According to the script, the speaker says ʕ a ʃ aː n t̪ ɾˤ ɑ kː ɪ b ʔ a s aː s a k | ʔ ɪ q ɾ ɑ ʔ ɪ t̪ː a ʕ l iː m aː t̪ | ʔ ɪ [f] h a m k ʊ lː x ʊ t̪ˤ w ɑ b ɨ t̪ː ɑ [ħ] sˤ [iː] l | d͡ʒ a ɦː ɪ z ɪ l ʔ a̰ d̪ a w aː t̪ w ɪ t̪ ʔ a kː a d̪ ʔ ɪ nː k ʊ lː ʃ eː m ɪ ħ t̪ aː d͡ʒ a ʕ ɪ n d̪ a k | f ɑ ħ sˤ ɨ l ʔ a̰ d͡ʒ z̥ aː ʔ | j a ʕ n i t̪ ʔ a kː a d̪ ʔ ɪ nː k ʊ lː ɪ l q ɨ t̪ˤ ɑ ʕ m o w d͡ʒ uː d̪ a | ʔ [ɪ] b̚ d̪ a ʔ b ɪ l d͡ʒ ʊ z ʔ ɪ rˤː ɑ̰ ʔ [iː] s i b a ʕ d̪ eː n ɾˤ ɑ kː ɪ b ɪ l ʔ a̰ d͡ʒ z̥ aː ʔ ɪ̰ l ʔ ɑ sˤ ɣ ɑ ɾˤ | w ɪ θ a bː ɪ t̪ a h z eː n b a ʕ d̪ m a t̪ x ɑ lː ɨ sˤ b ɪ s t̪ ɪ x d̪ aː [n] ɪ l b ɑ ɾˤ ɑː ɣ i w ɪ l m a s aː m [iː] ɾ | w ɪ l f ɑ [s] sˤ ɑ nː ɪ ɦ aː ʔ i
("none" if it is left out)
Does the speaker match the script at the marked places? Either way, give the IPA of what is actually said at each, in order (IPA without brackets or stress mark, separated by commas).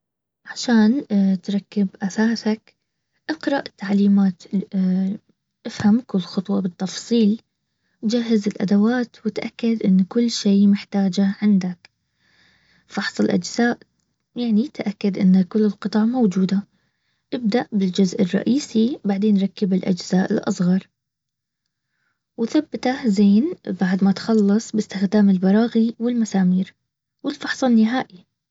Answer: f, f, iː, ɪ, iː, m, iː, ħ